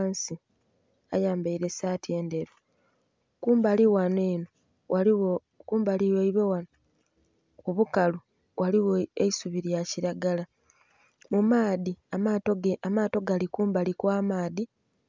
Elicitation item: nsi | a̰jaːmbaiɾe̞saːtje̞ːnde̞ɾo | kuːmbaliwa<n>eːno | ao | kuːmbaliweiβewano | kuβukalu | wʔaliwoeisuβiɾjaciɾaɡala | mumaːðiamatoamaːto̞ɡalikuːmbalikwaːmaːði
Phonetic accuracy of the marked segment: correct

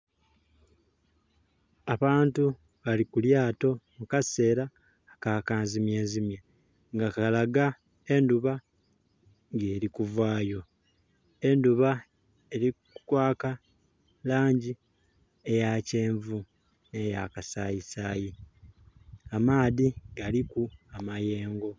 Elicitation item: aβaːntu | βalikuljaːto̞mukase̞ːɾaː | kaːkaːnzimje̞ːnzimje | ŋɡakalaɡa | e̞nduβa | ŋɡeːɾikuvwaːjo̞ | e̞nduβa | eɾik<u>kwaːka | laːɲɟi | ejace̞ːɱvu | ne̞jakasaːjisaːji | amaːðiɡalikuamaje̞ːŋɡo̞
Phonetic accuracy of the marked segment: correct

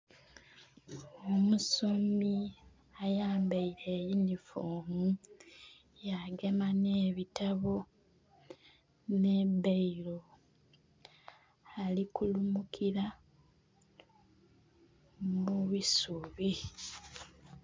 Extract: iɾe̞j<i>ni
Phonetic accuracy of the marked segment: correct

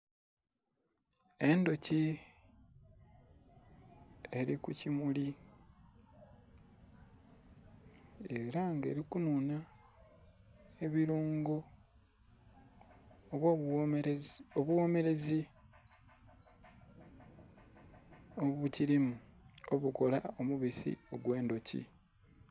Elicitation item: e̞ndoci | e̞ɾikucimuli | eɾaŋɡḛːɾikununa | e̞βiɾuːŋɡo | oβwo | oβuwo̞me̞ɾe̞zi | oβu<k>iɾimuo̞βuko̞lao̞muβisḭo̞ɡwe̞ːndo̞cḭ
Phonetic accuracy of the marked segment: incorrect: c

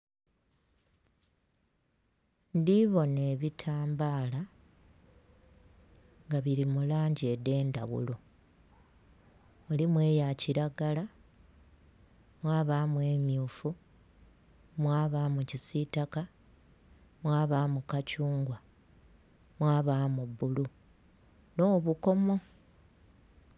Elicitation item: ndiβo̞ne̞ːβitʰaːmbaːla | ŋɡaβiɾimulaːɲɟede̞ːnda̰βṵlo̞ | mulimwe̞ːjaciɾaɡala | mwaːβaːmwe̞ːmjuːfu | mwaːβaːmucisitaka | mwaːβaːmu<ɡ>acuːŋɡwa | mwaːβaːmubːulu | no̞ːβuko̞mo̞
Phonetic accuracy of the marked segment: incorrect: k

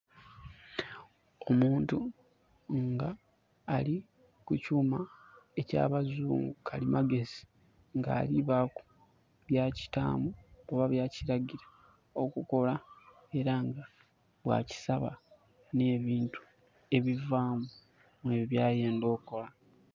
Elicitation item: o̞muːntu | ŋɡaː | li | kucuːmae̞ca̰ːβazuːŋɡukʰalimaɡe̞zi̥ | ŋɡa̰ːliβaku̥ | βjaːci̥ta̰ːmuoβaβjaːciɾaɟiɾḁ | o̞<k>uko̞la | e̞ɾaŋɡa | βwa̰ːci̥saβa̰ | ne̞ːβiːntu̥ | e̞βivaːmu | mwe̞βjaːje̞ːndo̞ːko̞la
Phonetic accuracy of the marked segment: correct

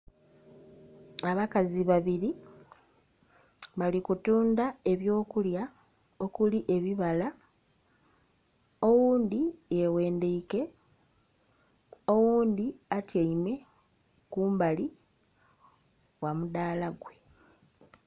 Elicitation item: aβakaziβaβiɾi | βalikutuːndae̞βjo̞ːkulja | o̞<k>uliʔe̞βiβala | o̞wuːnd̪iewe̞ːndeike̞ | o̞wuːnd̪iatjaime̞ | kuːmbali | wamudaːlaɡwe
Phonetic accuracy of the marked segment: correct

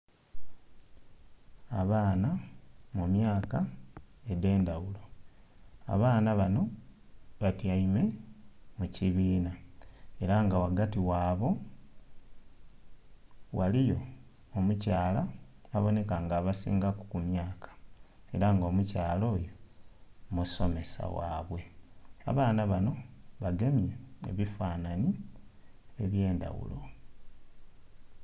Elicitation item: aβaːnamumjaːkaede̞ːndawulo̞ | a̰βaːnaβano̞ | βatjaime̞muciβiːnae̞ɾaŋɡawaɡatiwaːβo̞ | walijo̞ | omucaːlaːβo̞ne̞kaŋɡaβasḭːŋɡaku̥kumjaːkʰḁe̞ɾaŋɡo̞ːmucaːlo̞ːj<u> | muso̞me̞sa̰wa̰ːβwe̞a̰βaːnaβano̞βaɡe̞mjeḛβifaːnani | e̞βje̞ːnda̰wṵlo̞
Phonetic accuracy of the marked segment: incorrect: o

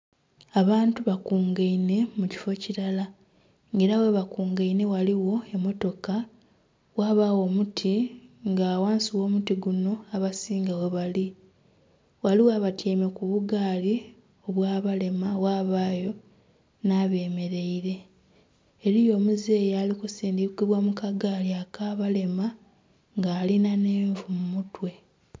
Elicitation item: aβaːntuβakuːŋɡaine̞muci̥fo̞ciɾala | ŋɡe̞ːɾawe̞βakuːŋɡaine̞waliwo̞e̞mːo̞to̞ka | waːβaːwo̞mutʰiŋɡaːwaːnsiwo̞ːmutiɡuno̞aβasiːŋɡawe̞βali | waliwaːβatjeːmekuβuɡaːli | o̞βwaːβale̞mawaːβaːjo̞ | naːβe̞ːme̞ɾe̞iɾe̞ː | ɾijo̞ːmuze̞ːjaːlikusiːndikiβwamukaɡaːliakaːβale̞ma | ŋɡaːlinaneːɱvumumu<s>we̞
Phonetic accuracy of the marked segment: incorrect: t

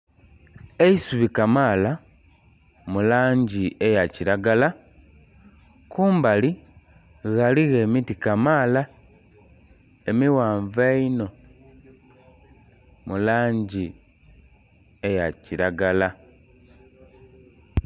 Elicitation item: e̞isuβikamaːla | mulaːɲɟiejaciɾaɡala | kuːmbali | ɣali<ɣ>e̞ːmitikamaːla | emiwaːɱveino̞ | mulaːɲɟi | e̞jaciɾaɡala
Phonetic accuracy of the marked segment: correct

